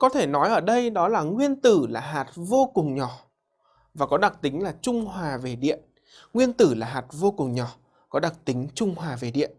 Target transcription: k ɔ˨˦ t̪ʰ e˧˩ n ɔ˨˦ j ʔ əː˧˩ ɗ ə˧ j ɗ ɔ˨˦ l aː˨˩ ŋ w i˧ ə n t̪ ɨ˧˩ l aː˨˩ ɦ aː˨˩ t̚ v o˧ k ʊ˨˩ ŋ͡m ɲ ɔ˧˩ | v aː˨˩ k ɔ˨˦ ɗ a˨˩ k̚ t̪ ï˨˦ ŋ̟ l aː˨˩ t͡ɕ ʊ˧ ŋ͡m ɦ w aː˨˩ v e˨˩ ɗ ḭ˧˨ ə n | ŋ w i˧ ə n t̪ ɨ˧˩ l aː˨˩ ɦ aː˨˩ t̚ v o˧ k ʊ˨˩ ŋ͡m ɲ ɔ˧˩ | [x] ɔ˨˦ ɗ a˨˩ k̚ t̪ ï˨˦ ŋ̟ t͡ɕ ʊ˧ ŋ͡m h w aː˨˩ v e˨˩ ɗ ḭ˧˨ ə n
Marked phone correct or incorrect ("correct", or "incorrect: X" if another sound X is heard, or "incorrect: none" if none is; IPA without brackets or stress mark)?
incorrect: k